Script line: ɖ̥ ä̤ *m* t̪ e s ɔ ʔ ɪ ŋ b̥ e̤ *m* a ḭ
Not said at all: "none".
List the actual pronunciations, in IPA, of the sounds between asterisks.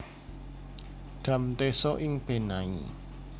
m, n

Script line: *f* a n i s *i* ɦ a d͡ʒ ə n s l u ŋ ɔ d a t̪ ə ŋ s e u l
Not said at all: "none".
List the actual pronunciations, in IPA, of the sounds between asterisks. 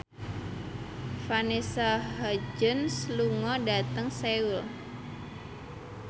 f, a

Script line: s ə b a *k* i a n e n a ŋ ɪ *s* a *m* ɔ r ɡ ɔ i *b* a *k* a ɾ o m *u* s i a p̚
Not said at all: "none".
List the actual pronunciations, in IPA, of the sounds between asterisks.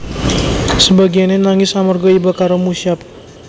ɡ, s, m, b, k, u

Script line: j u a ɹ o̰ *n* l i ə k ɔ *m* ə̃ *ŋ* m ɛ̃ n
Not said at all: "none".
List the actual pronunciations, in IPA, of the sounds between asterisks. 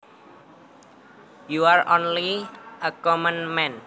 n, m, n

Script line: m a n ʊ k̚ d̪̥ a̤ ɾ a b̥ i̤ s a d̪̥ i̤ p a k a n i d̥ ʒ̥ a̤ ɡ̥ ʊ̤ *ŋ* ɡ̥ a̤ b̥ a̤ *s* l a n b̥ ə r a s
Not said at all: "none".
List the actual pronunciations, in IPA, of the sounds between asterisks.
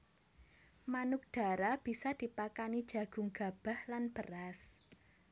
ŋ, h

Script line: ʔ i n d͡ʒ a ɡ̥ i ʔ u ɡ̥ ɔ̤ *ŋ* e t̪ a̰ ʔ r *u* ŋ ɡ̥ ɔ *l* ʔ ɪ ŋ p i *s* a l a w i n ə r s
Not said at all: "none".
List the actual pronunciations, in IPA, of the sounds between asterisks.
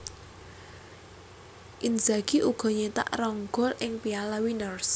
ɲ, ɔ, l, none

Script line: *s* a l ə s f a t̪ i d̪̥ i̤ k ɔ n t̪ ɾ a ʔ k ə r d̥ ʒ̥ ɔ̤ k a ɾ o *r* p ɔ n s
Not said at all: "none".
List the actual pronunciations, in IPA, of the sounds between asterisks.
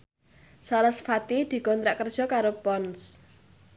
s, none

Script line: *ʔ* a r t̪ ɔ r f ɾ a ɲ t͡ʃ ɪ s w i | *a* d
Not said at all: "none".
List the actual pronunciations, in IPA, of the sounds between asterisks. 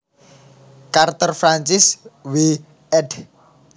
k, ɛ

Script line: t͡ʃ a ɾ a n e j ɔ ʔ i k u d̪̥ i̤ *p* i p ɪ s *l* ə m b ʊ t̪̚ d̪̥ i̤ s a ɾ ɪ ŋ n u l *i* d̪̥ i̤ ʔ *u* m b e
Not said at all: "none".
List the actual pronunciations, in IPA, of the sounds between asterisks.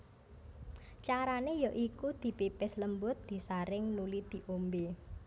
p, l, i, o

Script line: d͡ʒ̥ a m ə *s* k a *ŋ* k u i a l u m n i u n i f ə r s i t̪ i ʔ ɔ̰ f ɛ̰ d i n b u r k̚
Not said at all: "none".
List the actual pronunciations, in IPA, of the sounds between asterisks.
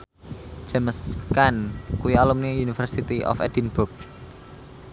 s, n

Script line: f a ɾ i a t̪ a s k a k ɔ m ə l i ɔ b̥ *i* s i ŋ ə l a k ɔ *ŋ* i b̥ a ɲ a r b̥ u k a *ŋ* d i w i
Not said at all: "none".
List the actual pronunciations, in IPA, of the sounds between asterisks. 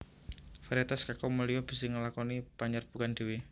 i, n, n

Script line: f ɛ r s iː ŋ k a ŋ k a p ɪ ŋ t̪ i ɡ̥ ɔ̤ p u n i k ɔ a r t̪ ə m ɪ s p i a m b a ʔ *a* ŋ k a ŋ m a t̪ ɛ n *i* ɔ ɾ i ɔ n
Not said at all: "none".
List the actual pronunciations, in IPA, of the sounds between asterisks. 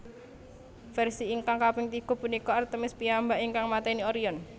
i, i

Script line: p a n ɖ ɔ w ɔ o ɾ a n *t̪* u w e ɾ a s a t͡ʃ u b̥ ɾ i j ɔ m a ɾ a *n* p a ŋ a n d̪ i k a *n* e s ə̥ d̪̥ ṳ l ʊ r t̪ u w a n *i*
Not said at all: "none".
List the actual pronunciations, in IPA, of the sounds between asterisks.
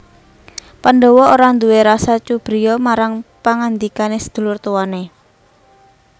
d̪, ŋ, n, e

